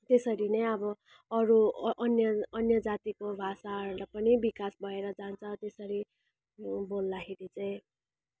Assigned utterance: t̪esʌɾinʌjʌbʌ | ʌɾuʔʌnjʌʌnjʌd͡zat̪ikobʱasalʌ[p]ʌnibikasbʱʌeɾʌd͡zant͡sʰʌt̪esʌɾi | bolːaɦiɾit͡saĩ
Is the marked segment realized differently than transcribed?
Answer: no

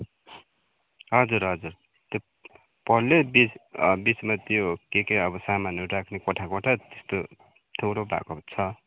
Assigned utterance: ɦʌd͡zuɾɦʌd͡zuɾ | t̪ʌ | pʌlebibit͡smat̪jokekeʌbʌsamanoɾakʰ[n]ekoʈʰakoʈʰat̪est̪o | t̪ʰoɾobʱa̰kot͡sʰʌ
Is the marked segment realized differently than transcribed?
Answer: no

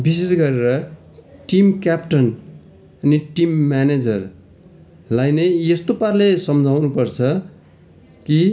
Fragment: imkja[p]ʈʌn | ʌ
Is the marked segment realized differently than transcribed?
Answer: no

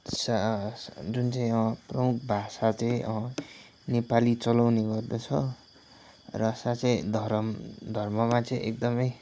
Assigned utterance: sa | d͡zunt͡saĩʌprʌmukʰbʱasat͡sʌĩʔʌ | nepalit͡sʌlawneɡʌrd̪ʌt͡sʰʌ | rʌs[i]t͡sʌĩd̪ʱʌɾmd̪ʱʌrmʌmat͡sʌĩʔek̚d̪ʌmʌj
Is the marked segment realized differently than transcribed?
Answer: yes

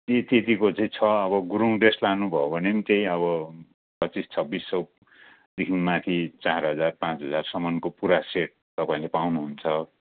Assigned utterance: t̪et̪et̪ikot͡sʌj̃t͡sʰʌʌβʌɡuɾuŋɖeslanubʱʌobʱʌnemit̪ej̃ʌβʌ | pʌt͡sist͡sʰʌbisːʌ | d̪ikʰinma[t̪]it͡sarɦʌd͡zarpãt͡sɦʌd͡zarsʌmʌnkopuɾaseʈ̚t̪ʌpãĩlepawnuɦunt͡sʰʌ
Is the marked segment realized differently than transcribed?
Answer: yes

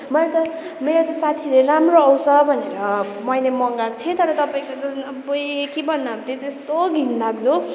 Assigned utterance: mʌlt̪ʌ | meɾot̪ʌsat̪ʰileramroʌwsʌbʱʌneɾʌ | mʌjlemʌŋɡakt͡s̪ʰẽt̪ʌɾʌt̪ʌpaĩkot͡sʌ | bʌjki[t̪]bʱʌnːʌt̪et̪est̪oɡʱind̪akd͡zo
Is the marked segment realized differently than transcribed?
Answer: yes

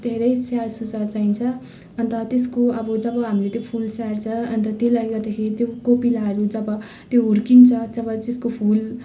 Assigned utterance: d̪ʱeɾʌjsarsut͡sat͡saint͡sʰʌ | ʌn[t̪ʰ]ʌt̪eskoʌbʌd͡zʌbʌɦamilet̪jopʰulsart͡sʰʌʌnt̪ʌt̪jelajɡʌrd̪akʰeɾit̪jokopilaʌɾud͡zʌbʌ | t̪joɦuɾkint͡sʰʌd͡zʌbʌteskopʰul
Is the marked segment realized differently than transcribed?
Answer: yes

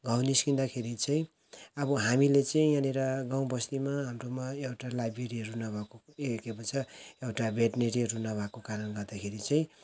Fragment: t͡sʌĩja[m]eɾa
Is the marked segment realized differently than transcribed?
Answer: yes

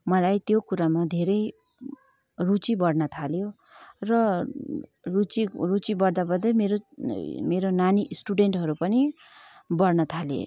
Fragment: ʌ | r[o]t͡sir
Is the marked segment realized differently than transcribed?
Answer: yes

